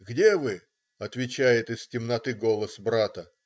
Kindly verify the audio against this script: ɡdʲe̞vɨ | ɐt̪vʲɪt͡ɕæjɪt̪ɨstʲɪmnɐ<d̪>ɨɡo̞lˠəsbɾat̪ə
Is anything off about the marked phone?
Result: yes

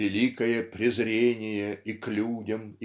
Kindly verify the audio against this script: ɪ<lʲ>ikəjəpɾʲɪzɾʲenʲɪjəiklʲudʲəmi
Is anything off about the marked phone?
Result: no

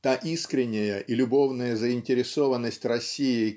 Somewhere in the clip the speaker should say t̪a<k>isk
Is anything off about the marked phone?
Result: yes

